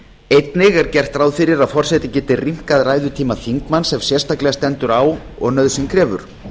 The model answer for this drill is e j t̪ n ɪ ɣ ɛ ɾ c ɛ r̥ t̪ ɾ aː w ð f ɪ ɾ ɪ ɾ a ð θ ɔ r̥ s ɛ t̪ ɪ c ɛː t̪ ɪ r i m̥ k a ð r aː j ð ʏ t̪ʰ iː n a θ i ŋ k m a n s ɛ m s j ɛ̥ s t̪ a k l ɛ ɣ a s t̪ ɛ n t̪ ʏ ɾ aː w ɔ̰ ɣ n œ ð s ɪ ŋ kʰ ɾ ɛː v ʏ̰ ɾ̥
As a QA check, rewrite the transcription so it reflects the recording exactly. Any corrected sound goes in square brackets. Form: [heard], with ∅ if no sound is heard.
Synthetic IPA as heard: e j t̪ n ɪ ɣ ɛ ɾ c ɛ r̥ t̪ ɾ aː w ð f ɪ ɾ ɪ ɾ a ð [f] ɔ r̥ s ɛ t̪ ɪ c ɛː t̪ ɪ r i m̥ k a ð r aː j ð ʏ t̪ʰ iː [m] a θ i ŋ k m a n s ɛ m s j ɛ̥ s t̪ a k l ɛ ɣ a s t̪ ɛ n t̪ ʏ ɾ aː w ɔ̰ ɣ n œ ð s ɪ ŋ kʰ ɾ ɛː v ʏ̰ ɾ̥